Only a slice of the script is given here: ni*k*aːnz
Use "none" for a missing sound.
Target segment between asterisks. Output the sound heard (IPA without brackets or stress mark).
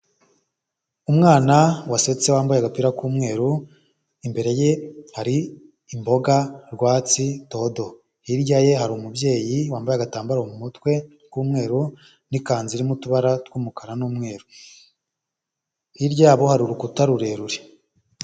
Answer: k